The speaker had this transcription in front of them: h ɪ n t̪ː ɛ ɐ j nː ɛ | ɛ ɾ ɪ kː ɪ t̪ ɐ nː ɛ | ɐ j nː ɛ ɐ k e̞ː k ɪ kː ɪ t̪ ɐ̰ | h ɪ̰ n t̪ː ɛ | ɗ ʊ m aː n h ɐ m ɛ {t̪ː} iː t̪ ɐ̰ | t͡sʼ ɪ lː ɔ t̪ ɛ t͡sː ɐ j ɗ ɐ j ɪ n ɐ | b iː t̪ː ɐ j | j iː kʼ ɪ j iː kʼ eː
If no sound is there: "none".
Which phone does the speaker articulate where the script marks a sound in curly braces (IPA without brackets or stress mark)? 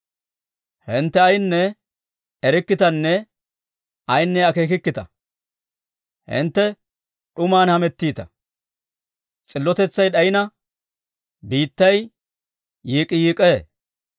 t̪ː